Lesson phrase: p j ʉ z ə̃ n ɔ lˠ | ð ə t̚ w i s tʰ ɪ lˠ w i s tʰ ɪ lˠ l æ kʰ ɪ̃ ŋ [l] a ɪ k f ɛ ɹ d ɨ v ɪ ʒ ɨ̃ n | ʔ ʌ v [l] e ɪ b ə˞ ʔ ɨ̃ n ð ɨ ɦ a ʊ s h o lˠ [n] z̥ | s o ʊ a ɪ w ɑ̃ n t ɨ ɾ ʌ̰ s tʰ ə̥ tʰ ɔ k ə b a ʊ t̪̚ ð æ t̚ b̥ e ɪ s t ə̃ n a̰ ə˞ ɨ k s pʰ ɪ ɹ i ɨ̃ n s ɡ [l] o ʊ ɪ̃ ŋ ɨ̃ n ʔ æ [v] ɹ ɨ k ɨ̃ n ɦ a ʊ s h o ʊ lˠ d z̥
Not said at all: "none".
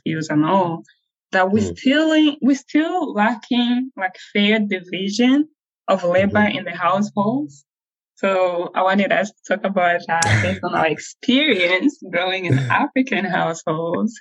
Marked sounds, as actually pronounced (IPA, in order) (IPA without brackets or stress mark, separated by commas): l, l, d, ɹ, f